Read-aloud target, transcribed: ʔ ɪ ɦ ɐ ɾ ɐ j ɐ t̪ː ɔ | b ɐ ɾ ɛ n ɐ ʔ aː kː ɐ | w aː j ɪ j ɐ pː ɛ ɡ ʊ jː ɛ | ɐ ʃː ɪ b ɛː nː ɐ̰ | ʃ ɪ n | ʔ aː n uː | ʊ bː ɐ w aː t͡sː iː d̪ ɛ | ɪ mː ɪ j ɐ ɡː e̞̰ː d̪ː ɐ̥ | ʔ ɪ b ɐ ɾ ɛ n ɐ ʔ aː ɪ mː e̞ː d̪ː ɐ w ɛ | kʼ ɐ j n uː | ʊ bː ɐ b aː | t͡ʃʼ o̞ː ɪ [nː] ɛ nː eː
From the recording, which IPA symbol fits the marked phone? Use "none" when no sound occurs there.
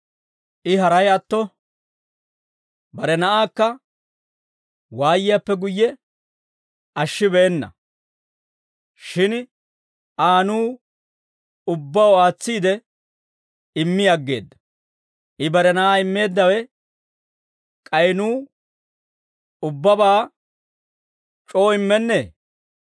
mː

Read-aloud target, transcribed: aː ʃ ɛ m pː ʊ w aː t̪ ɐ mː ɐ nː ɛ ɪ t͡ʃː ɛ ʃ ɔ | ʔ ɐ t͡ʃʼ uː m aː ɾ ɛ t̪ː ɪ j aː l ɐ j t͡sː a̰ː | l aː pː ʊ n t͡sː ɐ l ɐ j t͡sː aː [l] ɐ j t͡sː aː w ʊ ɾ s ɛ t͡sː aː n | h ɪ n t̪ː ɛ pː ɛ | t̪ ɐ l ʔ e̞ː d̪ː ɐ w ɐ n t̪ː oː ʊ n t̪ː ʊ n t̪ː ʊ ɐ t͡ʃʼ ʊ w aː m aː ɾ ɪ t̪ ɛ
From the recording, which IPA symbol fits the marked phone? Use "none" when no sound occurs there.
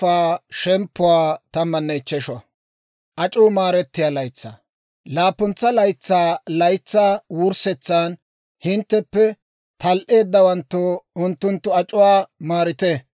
l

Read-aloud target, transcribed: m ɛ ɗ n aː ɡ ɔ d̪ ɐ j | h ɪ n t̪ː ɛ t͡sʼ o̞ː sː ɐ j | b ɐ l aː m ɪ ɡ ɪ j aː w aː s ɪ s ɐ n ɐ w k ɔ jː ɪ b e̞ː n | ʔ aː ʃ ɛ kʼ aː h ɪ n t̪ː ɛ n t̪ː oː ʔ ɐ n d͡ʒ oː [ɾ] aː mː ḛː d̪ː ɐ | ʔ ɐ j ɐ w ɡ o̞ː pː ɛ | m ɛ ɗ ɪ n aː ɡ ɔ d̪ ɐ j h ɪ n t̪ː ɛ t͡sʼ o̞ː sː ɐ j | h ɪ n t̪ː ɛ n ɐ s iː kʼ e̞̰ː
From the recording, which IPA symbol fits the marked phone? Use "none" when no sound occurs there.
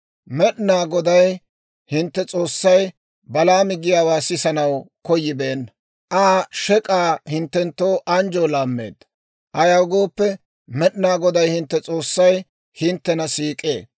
l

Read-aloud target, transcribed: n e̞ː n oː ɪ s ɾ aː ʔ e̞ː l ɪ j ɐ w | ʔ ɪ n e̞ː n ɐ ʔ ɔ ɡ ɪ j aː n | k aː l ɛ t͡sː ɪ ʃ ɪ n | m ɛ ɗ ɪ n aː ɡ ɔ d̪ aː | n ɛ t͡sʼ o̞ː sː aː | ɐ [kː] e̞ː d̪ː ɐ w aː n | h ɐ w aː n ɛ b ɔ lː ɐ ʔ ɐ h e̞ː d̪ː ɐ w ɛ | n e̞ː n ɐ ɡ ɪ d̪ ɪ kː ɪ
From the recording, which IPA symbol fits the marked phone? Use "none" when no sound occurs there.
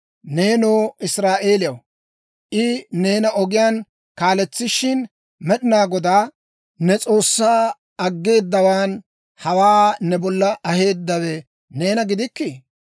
ɡː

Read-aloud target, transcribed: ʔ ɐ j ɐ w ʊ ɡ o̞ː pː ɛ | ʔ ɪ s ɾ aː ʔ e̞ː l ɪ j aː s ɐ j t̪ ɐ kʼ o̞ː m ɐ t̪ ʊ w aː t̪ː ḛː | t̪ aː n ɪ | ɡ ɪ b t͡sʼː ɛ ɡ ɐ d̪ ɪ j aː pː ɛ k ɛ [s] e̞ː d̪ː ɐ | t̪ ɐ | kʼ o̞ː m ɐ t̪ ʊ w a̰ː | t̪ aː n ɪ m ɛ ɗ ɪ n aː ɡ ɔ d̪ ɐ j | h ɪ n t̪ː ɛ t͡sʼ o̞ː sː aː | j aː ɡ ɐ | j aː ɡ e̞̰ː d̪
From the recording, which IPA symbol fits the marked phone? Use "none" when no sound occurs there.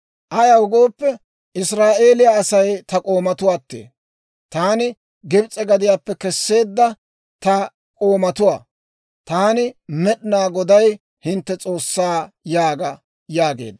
sː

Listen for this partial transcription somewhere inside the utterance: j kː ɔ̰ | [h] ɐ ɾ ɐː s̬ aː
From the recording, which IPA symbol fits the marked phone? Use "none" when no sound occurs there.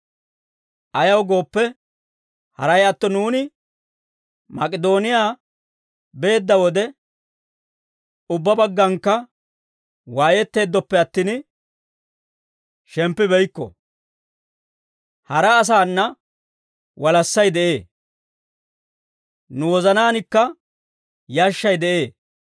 h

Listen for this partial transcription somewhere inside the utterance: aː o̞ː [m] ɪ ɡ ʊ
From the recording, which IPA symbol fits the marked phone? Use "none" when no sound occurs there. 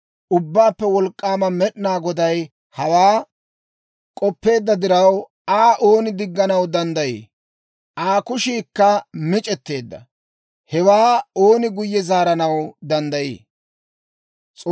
n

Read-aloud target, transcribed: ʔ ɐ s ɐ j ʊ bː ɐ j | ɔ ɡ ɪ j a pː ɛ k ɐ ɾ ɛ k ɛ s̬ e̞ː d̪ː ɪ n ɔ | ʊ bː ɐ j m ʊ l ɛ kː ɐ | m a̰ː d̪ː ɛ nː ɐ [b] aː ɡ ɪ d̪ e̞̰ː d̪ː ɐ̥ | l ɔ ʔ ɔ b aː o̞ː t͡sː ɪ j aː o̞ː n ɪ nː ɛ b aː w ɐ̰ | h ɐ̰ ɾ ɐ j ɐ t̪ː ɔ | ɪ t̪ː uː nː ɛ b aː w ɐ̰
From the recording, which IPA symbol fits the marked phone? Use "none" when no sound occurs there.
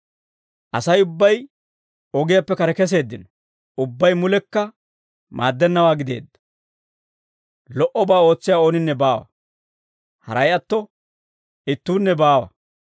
w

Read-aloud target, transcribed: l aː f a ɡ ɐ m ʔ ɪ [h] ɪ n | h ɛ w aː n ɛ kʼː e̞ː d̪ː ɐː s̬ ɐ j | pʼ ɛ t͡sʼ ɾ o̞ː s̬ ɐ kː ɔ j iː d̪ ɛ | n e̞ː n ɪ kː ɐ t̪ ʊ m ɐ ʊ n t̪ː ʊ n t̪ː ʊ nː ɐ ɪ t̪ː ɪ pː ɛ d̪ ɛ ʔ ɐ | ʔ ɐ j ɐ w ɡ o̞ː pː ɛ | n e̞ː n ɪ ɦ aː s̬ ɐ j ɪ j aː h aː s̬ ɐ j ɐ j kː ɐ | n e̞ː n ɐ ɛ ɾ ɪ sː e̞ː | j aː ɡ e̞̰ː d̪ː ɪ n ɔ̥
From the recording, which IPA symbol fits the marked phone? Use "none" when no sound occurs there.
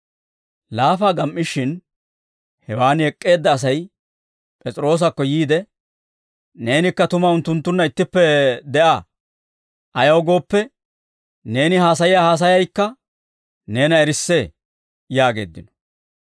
ʃ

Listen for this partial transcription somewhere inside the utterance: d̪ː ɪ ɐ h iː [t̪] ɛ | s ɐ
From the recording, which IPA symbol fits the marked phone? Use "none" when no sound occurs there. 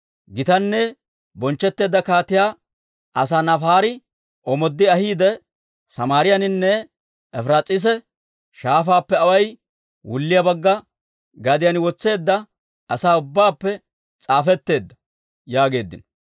d̪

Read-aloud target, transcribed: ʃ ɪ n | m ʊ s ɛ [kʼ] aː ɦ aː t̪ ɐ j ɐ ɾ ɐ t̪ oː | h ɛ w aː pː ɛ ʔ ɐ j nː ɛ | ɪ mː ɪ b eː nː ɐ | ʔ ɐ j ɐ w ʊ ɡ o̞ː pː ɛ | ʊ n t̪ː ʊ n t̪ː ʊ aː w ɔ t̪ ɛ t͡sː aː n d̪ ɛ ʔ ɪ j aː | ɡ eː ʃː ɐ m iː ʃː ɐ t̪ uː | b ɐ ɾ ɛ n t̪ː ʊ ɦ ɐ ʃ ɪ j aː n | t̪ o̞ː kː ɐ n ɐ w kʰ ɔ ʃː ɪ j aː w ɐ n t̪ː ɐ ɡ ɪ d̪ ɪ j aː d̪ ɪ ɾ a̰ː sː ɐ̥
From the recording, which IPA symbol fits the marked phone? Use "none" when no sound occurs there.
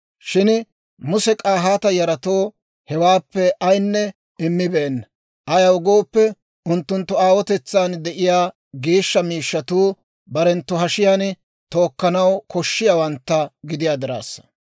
kʼ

